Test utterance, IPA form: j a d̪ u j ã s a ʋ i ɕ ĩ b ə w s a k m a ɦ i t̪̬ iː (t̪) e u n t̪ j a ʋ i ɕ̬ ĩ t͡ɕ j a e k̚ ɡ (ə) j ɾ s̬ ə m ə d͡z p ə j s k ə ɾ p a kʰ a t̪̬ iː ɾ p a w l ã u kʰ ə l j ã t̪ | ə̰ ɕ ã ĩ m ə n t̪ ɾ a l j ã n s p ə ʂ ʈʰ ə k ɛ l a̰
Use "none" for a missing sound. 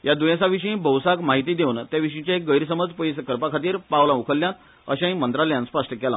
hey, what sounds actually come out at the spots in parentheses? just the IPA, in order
d̪, ə

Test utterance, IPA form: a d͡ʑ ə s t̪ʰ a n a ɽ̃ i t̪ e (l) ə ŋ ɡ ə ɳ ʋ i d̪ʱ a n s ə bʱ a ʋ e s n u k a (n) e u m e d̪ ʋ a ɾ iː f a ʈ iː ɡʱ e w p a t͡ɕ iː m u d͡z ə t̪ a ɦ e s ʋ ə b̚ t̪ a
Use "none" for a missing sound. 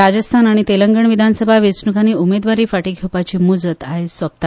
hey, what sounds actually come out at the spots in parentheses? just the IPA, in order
l, n

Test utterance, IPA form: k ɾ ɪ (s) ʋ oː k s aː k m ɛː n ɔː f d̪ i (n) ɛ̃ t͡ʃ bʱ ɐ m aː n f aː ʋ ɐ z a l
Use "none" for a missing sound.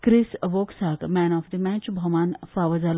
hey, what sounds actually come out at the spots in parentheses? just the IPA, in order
s, m

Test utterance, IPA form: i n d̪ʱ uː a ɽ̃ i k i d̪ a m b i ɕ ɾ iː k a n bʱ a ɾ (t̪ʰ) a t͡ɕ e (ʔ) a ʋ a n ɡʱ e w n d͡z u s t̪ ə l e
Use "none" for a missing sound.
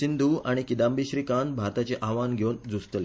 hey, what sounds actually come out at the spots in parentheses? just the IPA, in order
t̪, ʔ

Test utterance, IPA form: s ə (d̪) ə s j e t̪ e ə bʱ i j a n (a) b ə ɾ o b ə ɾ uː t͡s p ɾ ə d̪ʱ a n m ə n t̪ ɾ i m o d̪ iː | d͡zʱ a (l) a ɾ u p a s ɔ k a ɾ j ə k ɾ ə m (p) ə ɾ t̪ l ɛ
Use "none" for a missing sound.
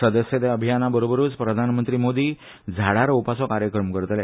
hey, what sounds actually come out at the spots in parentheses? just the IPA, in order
d̪, a, ɽ, k

